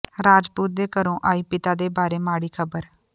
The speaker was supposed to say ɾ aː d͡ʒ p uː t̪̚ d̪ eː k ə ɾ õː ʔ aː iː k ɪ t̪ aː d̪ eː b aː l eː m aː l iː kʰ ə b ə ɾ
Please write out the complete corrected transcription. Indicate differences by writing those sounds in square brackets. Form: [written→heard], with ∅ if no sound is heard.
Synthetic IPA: ɾ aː d͡ʒ p uː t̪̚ d̪ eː k ə ɾ õː ʔ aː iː [k→p] ɪ t̪ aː d̪ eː b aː [l→ɾ] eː m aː [l→ɽ] iː kʰ ə b ə ɾ